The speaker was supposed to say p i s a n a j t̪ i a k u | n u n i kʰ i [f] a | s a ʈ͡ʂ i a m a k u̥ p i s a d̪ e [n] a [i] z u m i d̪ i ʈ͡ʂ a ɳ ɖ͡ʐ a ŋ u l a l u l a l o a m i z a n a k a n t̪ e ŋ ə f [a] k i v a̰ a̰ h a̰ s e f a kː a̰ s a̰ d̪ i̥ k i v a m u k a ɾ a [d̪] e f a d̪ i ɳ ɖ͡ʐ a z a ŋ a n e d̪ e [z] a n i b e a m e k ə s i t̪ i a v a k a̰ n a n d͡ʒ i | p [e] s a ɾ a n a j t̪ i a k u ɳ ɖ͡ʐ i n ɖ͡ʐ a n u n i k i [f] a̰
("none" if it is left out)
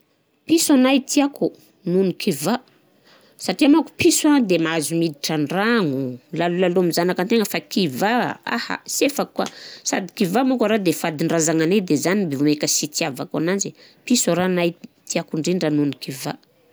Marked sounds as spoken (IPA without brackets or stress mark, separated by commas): v, m, a, a, d̪, z, i, v